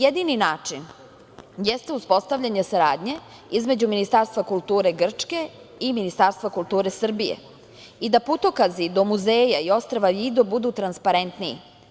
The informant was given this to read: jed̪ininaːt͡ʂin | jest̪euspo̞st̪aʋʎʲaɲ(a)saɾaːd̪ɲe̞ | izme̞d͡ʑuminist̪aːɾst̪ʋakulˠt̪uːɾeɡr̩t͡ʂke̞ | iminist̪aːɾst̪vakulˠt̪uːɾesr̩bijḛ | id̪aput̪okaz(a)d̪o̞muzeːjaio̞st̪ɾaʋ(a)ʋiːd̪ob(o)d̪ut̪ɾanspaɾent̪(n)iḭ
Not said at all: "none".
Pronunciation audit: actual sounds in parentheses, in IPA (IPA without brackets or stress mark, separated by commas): e, i, a, u, n